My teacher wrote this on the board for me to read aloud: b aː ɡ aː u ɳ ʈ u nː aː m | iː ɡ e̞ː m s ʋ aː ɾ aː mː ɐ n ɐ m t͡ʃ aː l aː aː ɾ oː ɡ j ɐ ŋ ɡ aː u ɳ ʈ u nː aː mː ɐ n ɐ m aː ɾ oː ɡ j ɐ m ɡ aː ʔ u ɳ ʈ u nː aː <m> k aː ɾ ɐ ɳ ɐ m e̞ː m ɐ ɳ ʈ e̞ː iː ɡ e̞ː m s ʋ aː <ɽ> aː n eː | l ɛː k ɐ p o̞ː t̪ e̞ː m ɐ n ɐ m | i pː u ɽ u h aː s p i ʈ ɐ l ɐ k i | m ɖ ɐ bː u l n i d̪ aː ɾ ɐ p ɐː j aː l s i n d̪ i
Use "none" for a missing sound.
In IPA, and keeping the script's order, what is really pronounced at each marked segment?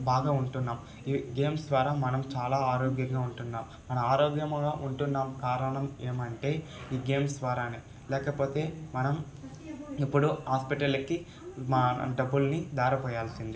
m, ɾ

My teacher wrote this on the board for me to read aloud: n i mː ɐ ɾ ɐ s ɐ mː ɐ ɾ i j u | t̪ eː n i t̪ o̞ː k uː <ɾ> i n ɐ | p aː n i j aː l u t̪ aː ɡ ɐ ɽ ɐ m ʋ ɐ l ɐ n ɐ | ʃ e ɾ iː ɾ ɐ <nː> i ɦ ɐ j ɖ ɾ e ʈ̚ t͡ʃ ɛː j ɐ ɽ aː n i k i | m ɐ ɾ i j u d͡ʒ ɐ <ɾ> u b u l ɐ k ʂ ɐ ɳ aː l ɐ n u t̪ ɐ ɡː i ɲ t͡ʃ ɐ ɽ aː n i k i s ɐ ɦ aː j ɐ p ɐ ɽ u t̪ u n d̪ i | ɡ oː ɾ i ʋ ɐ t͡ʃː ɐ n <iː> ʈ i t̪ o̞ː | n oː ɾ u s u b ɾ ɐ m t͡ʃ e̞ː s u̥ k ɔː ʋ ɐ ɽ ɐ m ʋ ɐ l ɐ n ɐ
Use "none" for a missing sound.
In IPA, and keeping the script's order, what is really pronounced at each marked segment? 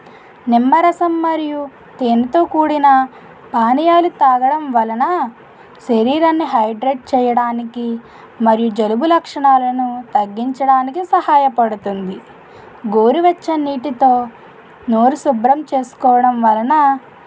ɽ, nː, l, iː

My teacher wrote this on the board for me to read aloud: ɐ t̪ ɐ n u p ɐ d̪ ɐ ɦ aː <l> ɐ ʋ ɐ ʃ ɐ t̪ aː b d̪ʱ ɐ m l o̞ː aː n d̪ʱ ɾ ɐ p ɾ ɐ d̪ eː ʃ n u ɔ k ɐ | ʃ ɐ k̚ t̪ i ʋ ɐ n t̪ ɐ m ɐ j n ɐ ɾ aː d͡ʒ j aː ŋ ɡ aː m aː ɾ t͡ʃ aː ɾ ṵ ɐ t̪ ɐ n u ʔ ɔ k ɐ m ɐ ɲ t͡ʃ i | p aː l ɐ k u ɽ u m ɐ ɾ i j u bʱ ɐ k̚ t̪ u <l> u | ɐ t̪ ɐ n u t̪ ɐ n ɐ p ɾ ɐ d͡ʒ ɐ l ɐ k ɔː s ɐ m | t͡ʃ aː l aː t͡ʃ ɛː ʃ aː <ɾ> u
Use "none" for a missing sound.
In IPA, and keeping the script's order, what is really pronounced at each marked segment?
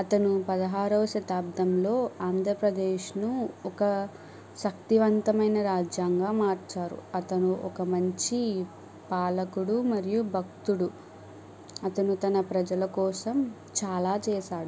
ɾ, ɽ, ɽ

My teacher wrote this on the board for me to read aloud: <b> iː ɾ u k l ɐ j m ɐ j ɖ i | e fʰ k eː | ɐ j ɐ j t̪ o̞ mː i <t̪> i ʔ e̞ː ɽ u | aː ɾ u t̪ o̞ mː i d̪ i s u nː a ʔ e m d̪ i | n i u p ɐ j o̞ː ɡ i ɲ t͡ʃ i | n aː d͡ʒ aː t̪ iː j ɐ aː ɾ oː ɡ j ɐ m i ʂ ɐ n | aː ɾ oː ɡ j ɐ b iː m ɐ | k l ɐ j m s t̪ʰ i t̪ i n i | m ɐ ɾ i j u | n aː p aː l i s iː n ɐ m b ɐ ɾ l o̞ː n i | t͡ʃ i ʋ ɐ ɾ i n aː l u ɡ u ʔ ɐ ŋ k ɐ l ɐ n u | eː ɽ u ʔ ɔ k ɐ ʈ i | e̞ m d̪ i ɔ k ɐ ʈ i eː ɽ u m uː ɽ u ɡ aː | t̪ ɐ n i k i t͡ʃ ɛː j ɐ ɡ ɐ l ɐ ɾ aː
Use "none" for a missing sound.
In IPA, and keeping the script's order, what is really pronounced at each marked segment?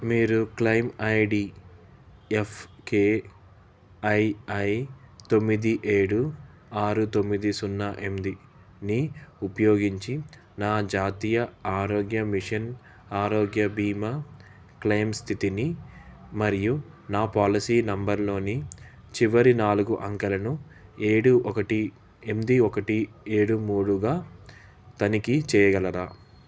m, d̪

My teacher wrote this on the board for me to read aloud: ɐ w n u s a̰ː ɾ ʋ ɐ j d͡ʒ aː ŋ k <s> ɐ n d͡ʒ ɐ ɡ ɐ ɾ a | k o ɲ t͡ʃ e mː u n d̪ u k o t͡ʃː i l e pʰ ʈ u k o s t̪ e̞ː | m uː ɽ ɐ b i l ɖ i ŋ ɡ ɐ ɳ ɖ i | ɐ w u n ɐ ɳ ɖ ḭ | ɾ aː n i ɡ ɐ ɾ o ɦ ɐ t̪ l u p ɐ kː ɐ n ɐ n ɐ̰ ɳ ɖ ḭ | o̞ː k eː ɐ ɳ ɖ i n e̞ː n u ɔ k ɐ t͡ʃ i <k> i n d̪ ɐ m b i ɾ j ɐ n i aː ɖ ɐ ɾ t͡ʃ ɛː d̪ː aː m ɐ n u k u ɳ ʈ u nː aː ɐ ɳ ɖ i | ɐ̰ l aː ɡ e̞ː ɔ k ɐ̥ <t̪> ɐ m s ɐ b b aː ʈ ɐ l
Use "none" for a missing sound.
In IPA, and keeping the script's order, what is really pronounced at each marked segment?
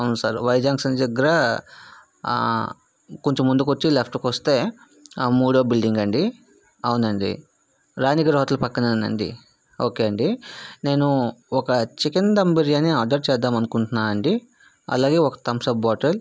s, k, t̪

